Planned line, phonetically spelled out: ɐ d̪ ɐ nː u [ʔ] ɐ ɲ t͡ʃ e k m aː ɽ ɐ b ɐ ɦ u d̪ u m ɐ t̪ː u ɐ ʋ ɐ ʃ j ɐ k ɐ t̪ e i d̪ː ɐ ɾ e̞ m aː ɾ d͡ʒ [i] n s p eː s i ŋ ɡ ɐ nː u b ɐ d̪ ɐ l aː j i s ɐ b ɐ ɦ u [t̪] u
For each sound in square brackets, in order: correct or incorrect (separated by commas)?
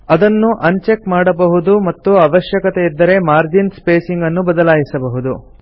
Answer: correct, correct, incorrect